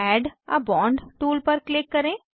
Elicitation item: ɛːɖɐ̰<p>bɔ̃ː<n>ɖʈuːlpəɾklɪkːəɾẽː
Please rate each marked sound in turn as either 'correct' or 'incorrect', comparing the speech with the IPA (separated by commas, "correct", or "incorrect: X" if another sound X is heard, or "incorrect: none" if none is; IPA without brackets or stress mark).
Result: incorrect: none, incorrect: ɳ